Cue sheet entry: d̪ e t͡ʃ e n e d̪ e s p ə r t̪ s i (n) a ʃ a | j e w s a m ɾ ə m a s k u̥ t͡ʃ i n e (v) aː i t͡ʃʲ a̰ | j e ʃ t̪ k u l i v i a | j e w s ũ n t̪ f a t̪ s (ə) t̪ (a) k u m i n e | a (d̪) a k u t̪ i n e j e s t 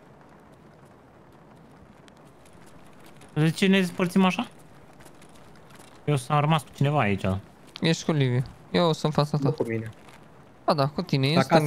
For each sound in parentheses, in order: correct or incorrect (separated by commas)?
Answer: incorrect, correct, incorrect, correct, correct